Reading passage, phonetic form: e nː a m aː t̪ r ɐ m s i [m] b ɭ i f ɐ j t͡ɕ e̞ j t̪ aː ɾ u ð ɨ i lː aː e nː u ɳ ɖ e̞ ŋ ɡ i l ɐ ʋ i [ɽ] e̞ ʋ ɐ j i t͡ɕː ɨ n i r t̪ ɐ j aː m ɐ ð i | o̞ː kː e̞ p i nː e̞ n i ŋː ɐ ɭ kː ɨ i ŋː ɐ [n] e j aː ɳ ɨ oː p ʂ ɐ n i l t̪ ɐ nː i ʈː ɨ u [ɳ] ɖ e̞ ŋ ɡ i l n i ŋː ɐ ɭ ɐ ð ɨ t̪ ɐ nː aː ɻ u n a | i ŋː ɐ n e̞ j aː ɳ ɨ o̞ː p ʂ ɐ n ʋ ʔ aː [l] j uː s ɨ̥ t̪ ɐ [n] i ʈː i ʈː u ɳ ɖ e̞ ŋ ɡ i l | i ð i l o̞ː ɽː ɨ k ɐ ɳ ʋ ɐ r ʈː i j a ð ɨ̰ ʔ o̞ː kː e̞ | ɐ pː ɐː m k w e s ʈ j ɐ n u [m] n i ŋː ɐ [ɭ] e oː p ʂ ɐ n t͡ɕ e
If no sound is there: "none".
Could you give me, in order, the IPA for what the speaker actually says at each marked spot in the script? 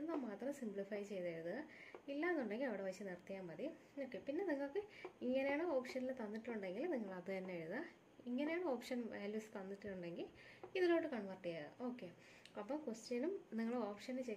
m, ɽ, n, ɳ, l, nː, m, ɭ

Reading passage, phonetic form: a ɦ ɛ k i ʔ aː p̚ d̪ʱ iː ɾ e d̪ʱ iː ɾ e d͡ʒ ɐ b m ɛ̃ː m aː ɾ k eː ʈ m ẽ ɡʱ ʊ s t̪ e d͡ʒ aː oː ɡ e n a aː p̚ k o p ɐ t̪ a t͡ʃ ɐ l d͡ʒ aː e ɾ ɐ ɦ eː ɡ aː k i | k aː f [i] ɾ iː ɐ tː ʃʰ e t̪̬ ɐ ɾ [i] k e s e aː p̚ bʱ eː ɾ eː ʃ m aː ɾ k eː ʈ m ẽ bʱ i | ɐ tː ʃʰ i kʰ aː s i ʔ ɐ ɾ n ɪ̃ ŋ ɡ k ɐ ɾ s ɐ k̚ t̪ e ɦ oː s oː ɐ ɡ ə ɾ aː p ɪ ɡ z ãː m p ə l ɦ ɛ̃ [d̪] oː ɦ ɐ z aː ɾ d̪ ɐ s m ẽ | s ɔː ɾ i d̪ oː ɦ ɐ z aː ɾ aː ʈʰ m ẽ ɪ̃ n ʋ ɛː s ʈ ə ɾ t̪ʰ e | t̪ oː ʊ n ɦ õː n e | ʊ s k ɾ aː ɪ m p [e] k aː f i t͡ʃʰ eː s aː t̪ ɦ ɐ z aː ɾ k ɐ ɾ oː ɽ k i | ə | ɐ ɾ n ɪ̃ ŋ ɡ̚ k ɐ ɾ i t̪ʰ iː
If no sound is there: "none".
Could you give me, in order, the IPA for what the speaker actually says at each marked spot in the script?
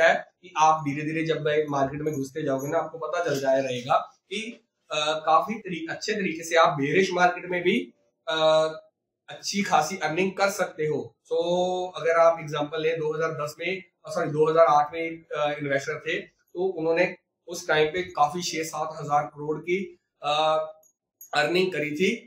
i, iː, d̪, e

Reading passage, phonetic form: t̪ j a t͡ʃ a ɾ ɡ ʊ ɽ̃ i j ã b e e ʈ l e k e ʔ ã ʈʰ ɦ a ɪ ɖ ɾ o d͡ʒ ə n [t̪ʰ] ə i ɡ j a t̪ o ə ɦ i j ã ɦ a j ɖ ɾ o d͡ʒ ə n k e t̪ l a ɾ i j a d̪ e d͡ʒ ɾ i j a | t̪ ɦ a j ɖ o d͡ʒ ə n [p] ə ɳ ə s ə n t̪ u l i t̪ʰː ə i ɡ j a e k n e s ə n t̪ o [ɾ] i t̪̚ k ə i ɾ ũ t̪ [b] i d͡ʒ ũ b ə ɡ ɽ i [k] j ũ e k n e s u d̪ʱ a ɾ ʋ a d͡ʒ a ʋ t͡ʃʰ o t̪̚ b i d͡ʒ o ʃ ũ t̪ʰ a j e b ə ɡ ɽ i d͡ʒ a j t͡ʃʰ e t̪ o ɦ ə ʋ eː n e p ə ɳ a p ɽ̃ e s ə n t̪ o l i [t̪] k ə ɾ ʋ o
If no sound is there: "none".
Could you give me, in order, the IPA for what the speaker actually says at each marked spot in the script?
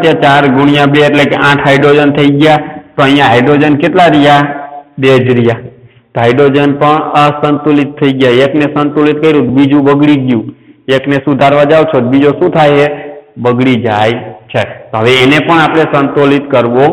t̪ʰ, p, l, b, ɡ, t̪

